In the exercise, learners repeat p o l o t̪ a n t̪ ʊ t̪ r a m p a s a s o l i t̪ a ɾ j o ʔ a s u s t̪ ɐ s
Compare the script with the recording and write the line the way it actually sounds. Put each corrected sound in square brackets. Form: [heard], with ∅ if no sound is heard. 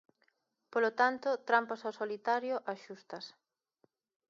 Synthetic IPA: p o l o t̪ a n t̪ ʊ t̪ [ɾ] a m p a s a s o l i t̪ a ɾ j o ʔ a [ʃ] u s t̪ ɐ s

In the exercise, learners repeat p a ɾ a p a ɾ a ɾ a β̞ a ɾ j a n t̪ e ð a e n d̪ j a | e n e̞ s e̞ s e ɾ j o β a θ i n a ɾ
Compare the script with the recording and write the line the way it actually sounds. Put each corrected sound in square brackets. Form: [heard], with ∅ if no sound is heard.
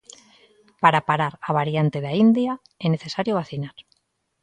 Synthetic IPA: p a ɾ a p a ɾ a ɾ a β̞ a ɾ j a n t̪ e ð a [i] n d̪ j a | e n e̞ [θ] e̞ s [a] ɾ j o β a θ i n a ɾ

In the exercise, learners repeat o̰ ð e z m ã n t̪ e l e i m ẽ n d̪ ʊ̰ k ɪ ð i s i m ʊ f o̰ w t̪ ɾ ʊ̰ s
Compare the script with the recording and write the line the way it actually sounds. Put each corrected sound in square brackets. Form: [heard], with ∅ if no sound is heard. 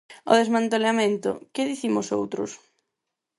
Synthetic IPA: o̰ ð e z m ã n t̪ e l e [a] m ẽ n [t̪] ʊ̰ k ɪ ð i [θ] i m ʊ [s] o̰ w t̪ ɾ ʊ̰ s

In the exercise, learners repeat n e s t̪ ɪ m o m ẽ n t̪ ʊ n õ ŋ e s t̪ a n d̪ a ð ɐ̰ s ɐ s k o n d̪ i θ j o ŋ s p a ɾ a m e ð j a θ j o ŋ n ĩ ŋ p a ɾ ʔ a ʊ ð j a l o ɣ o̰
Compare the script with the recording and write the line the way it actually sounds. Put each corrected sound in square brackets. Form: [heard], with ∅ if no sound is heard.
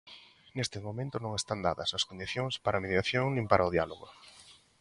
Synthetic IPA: n e s t̪ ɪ m o m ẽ n t̪ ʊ n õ ŋ e s t̪ a n d̪ a ð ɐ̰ s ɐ s k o n d̪ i θ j o ŋ s p a ɾ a m e ð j a θ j o ŋ n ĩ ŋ p a ɾ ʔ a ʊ ð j a l o ɣ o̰

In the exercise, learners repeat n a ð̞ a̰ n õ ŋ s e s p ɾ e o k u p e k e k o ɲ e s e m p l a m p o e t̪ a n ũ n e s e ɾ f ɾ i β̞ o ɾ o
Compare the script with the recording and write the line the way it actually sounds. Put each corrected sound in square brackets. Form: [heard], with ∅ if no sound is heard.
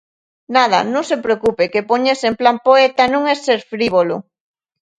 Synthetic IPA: n a ð̞ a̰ n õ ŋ s e [∅] p ɾ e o k u p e k e [p] o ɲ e s e m p l a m p o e t̪ a n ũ [ŋ] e s e ɾ f ɾ i β̞ o [l] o

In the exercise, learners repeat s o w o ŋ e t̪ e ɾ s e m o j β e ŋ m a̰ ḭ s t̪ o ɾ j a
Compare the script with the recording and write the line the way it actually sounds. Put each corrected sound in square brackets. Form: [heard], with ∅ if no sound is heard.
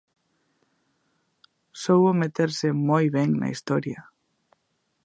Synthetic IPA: s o w o [m] e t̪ e ɾ s e m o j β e ŋ [n] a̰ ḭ s t̪ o ɾ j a

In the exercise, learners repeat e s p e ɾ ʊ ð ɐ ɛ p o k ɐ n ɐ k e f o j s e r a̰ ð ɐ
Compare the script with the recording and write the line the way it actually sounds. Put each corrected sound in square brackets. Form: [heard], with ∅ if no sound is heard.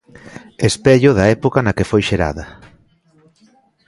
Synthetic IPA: e s p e [ʎ] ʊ ð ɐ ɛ p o k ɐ n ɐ k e f o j [ʃ] e [ɾ] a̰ ð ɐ

